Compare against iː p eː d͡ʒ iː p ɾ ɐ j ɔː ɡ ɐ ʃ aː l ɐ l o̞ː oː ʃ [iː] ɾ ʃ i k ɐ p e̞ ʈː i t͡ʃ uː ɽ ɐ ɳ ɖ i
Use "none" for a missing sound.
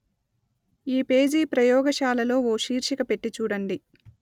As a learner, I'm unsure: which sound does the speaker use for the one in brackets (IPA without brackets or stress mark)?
iː